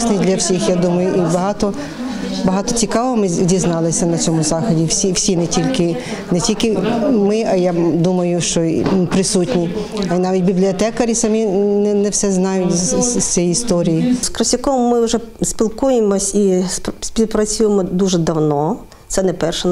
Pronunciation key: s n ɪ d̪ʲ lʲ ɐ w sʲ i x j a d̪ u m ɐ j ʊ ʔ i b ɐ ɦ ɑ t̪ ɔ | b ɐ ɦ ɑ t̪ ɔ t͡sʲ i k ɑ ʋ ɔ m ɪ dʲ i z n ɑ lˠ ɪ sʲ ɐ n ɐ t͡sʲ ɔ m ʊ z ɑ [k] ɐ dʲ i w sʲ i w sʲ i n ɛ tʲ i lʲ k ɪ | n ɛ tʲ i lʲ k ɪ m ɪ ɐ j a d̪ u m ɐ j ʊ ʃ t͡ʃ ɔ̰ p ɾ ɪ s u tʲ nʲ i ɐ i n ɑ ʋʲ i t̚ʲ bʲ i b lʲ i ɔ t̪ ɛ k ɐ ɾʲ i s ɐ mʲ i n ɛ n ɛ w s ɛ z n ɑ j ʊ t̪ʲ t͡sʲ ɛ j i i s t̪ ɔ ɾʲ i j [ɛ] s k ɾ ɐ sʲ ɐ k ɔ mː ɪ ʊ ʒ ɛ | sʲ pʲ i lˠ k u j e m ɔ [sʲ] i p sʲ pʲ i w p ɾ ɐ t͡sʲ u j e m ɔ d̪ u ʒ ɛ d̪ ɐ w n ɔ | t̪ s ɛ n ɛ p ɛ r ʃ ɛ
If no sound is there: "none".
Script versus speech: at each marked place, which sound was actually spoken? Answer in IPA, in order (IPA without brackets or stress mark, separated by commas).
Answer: x, i, sʲ